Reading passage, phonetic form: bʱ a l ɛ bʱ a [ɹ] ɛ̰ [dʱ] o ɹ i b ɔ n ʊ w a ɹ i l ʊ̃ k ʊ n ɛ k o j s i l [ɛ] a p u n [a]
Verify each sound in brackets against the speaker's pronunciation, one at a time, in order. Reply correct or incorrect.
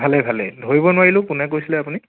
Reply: incorrect, correct, correct, incorrect

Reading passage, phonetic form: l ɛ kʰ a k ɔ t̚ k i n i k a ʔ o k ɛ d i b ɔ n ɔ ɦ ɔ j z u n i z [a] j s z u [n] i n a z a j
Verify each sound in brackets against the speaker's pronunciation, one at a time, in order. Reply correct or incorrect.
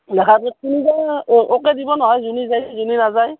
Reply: correct, correct

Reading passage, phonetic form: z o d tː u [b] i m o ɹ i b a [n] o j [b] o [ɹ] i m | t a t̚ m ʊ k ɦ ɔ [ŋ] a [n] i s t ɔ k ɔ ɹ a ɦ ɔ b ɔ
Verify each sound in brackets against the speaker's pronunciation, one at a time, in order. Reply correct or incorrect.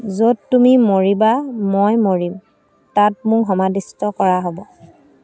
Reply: incorrect, incorrect, incorrect, correct, incorrect, incorrect

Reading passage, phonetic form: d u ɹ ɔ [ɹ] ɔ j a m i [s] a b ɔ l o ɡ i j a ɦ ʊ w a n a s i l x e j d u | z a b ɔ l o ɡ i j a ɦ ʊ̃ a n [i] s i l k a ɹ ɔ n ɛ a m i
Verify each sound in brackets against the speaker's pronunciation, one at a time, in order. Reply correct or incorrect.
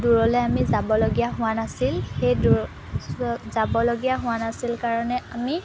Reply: incorrect, incorrect, incorrect

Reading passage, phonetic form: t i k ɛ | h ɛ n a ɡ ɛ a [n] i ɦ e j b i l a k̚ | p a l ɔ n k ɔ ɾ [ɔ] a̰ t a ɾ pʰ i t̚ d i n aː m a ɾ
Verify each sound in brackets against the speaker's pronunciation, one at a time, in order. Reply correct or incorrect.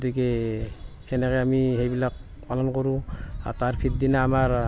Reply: incorrect, incorrect

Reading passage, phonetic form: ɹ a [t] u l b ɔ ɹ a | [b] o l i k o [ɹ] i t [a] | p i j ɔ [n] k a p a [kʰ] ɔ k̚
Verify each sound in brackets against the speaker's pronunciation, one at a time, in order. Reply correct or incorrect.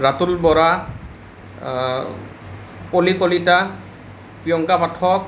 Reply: correct, incorrect, incorrect, correct, incorrect, incorrect

